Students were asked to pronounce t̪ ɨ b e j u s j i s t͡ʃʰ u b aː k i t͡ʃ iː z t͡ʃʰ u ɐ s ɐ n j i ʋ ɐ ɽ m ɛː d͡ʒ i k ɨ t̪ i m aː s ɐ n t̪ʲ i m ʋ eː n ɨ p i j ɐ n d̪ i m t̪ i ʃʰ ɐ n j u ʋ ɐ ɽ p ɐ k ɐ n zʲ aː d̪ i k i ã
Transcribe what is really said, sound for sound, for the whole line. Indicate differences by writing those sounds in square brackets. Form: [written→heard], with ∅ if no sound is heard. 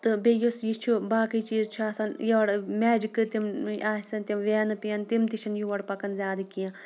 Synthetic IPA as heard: t̪ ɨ b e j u s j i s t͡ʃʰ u b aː k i t͡ʃ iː z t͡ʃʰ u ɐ s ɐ n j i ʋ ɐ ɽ m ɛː d͡ʒ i k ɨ t̪ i m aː s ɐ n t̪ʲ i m ʋ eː n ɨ p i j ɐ n [d̪→t̪] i m t̪ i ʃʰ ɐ n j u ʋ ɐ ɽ p ɐ k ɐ n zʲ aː d̪ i k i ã